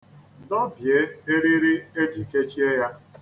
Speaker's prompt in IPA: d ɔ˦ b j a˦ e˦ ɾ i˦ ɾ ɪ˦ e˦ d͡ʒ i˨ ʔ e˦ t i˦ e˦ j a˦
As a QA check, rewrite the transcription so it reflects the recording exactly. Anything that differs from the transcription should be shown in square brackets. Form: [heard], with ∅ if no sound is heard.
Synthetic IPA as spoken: d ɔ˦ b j [e˦] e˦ ɾ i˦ ɾ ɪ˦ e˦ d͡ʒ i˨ [k] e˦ [t͡ʃ] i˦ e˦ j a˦